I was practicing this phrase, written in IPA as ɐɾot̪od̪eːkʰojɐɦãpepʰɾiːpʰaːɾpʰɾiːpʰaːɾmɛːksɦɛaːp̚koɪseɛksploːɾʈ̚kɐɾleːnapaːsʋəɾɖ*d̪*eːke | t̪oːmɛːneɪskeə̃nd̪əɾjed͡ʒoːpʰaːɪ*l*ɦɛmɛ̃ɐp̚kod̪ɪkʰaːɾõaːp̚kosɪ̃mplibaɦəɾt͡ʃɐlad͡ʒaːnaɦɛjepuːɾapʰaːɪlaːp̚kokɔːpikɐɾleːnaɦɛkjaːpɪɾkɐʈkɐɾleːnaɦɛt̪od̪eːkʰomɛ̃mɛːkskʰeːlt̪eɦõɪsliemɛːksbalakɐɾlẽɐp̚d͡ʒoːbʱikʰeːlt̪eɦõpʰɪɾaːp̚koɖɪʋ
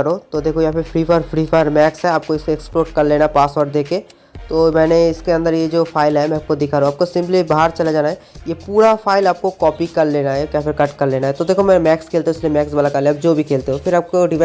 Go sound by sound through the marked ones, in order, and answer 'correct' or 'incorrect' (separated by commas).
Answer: correct, correct